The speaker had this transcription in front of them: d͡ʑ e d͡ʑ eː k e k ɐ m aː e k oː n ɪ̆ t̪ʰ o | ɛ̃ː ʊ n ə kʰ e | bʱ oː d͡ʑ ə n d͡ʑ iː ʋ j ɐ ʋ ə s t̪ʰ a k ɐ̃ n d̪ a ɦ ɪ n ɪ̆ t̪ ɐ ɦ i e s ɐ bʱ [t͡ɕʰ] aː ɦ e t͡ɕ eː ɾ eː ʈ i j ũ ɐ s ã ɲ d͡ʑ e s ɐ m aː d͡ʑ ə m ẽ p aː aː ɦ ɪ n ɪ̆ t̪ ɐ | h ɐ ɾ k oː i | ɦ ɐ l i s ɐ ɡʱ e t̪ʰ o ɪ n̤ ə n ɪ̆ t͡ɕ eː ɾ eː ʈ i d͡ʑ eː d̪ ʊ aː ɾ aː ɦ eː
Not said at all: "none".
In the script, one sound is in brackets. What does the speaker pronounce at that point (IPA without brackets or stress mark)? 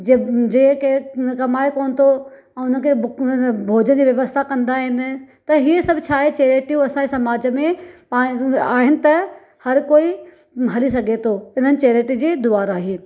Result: t͡ɕʰ